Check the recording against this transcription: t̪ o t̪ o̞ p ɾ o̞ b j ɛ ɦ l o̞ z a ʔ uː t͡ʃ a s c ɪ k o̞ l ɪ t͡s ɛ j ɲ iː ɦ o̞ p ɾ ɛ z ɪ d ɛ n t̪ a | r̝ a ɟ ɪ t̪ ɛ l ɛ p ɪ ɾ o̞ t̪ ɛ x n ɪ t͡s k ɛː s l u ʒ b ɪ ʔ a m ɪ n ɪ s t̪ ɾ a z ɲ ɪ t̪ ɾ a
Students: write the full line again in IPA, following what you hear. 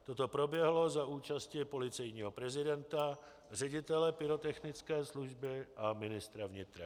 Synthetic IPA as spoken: t̪ o t̪ o̞ p ɾ o̞ b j ɛ ɦ l o̞ z a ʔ uː t͡ʃ a s c ɪ p o̞ l ɪ t͡s ɛ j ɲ iː ɦ o̞ p ɾ ɛ z ɪ d ɛ n t̪ a | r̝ ɛ ɟ ɪ t̪ ɛ l ɛ p ɪ ɾ o̞ t̪ ɛ x n ɪ t͡s k ɛː s l u ʒ b ɪ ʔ a m ɪ n ɪ s t̪ ɾ a v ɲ ɪ t̪ ɾ a